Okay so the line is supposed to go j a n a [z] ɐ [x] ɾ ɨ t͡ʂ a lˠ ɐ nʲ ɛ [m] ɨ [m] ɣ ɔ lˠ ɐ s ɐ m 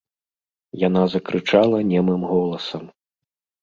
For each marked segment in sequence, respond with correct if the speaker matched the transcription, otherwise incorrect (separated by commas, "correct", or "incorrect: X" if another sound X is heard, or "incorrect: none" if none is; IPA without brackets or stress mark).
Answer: correct, incorrect: k, correct, correct